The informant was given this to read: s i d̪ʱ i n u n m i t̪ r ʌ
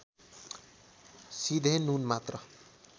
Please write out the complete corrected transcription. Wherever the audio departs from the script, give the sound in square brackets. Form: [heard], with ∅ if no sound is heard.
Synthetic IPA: s i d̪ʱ [e] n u n m [a] t̪ r ʌ